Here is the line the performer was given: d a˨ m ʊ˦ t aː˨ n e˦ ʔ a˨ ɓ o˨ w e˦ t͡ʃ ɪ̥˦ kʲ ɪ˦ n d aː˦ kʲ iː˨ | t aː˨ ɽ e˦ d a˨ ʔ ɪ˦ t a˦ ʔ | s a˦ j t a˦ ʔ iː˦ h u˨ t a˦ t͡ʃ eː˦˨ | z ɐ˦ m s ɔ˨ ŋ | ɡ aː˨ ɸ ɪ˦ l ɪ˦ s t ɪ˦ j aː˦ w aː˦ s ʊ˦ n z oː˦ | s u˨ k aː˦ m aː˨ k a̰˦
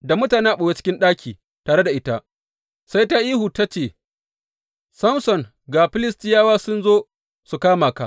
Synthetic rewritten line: d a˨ m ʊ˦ t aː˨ n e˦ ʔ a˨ ɓ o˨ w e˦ t͡ʃ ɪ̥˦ kʲ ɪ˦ n ɗ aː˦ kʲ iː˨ | t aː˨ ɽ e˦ d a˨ ʔ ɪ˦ t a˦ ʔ | s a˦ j t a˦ ʔ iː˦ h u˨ t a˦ t͡ʃ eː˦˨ | s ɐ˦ m s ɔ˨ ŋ | ɡ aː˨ ɸ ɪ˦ l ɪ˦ s t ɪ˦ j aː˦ w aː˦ s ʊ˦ n z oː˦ | s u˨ k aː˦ m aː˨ k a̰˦